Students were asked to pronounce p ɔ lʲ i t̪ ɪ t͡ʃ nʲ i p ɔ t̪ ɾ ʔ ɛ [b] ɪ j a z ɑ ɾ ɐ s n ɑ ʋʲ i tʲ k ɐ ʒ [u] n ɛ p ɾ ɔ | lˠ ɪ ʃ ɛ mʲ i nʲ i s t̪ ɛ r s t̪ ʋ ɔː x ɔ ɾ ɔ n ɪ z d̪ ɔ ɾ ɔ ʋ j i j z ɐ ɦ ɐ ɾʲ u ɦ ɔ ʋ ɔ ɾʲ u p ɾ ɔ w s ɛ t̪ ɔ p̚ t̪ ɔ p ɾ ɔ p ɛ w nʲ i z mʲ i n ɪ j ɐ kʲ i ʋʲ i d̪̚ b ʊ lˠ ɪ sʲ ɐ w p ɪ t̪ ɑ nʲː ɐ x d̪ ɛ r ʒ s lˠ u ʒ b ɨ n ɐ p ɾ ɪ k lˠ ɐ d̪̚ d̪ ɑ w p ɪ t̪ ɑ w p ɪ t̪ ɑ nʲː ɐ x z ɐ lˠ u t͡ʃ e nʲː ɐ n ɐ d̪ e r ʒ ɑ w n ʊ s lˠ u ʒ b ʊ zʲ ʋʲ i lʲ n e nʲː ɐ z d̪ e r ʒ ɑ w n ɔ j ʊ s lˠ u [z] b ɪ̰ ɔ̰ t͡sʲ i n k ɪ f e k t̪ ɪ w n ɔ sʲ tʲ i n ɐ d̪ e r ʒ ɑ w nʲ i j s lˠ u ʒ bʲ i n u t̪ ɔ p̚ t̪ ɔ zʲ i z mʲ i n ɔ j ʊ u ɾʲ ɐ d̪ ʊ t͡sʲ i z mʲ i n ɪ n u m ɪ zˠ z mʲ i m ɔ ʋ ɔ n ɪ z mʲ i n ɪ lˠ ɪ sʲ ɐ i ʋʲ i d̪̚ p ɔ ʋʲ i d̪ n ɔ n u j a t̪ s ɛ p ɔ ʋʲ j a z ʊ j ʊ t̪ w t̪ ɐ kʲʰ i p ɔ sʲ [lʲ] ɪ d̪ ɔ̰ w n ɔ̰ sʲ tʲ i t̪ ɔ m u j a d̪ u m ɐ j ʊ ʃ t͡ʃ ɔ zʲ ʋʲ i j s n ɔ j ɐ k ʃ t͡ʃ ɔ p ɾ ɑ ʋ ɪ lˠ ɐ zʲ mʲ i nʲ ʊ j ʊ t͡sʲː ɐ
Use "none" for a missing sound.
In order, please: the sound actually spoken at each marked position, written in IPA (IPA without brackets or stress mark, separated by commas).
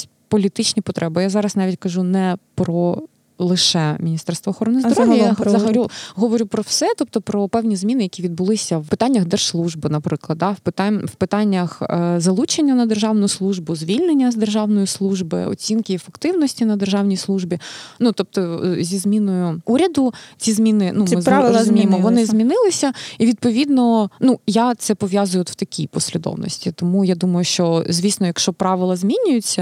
b, u, ʒ, lʲ